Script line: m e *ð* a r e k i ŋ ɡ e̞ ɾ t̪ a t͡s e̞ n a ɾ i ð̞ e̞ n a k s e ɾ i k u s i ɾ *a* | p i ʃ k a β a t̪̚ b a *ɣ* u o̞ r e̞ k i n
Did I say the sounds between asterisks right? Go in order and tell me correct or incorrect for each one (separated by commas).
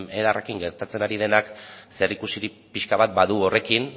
correct, incorrect, incorrect